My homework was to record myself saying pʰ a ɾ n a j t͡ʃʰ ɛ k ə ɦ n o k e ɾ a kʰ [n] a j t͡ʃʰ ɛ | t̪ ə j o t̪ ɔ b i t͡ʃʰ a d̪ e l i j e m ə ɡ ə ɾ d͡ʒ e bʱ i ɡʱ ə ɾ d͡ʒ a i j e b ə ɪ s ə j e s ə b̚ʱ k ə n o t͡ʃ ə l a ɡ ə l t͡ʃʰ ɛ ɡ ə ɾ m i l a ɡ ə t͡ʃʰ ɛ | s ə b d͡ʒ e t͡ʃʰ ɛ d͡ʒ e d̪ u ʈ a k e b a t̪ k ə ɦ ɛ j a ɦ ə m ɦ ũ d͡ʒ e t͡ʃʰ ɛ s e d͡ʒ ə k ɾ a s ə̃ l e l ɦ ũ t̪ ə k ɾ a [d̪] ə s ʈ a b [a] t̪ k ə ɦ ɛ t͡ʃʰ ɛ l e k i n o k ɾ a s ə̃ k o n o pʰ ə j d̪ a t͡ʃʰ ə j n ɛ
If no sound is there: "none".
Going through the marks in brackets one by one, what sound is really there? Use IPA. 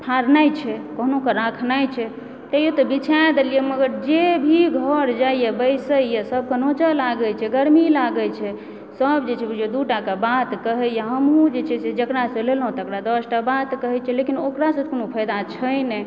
n, d̪, a

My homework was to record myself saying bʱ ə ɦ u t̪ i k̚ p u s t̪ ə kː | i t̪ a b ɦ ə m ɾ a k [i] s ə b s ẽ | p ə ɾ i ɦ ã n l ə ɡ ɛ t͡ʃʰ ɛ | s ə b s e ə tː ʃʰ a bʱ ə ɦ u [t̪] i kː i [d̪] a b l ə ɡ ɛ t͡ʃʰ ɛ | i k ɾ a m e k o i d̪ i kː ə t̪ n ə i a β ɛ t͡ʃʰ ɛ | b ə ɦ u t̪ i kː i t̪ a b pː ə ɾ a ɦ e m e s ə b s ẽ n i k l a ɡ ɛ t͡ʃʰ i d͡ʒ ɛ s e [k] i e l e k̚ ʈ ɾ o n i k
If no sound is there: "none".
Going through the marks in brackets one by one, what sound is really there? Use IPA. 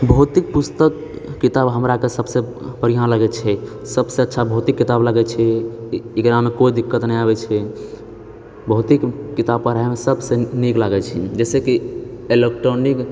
e, t̪, t̪, k

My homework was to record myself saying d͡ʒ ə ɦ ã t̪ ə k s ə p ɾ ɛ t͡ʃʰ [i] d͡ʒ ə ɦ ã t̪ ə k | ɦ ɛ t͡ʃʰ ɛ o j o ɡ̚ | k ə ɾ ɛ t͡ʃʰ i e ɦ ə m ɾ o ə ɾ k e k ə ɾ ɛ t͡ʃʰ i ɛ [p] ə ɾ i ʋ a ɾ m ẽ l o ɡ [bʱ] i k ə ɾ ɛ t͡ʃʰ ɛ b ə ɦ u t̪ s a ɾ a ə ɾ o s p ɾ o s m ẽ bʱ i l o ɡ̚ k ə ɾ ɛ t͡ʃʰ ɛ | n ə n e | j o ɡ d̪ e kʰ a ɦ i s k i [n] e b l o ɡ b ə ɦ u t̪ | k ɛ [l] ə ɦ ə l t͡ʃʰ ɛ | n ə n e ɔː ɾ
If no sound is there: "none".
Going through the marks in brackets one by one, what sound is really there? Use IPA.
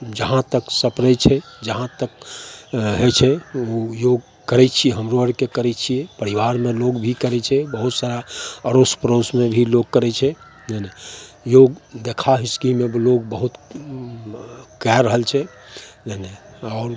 ɛ, p, bʱ, m, ɾ

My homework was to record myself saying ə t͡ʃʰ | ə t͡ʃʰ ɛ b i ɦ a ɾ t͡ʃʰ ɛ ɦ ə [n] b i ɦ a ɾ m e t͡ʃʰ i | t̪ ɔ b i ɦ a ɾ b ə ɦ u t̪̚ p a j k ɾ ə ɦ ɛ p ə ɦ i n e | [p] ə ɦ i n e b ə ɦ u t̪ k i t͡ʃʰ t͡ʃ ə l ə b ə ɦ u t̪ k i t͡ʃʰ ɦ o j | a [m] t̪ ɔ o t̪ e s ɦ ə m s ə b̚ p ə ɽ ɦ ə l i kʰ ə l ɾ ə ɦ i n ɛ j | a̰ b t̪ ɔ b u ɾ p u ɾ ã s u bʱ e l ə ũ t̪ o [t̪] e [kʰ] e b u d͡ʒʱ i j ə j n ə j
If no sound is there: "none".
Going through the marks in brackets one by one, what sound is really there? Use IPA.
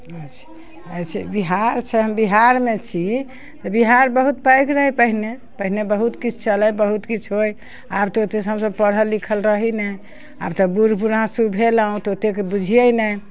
m, p, b, t̪, k

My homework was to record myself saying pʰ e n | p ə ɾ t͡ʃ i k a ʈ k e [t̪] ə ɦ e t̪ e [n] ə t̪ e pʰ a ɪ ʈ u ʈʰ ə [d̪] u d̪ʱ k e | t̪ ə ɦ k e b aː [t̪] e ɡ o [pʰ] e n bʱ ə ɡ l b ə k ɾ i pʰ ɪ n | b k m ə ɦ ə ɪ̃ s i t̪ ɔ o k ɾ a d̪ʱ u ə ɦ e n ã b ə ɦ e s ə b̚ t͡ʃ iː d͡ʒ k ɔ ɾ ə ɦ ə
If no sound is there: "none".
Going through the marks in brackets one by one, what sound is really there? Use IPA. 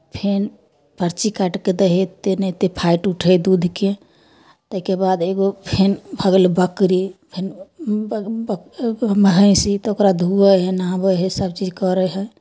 d̪, n, d̪, d̪, pʰ

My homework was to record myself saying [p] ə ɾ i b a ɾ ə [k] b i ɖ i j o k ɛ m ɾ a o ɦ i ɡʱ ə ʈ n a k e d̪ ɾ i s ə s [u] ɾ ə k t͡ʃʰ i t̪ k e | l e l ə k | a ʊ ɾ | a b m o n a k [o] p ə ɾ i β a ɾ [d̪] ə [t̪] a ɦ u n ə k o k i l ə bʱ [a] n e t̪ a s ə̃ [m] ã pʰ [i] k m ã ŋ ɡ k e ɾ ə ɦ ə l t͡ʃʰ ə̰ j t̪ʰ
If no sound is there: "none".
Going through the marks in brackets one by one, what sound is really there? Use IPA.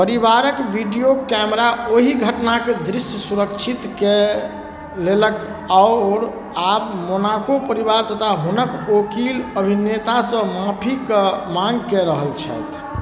p, k, u, o, t̪, t̪ʰ, i, m, i

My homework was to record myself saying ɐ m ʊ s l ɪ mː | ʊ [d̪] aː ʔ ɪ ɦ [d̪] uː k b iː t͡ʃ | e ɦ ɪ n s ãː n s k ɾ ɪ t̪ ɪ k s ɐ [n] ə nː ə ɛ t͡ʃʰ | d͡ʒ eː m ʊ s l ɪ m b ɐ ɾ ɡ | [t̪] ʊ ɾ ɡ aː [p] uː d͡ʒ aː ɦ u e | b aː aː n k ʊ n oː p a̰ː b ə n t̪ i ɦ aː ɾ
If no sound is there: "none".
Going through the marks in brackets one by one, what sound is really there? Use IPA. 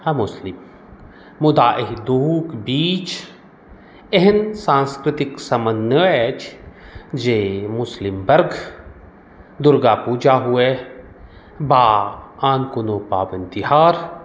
d̪, d̪, m, d̪, p

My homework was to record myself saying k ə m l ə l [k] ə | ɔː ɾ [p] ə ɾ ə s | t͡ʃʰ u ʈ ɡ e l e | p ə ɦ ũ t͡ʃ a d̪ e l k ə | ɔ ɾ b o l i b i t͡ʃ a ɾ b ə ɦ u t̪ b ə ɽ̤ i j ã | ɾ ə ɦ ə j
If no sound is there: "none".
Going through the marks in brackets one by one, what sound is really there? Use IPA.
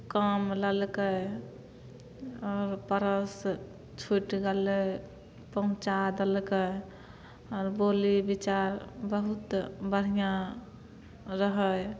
k, p

